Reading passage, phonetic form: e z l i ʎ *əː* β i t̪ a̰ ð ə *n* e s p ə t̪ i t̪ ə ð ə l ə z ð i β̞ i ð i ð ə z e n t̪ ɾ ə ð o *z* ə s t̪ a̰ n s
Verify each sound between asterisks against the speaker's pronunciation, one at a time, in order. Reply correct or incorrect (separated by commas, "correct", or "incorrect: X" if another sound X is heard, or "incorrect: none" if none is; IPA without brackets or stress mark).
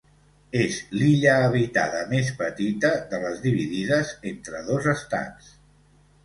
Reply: correct, incorrect: m, correct